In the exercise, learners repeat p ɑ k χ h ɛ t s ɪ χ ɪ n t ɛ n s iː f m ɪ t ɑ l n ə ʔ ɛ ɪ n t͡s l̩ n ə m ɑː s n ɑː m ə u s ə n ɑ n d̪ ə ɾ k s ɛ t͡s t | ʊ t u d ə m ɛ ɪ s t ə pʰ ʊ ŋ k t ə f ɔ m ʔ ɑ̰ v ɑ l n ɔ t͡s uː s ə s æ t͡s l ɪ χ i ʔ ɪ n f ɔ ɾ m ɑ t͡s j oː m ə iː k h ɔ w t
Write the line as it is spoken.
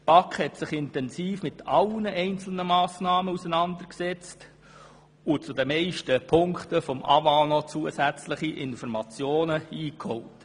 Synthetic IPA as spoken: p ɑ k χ h ɛ t s ɪ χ ɪ n t ɛ n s iː f m ɪ t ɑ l n ə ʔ ɛ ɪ n t͡s l̩ n ə m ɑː s n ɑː m ə u s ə n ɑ n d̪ ə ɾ k s ɛ t͡s t | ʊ t͡s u d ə m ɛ ɪ ʃ t ə pʰ ʊ ŋ k t ə f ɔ m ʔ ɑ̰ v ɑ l n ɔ t͡s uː ə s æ t͡s l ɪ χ i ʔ ɪ n f ɔ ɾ m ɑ t͡s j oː n ə iː k h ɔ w t